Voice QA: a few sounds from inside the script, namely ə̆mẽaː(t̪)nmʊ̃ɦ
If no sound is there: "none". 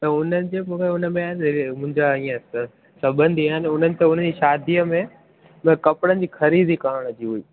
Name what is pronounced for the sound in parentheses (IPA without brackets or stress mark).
none